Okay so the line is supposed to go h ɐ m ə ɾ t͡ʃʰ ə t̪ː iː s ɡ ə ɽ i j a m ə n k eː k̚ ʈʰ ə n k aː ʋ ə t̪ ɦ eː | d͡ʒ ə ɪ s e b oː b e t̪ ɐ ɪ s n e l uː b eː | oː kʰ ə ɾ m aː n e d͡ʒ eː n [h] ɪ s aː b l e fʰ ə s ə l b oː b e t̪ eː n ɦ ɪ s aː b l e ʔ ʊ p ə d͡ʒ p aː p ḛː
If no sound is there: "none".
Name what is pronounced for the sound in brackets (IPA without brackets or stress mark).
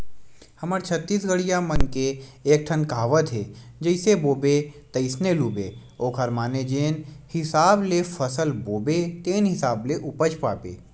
h